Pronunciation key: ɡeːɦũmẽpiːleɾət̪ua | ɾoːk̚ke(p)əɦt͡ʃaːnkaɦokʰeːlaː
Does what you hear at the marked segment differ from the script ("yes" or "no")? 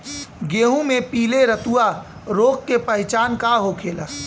no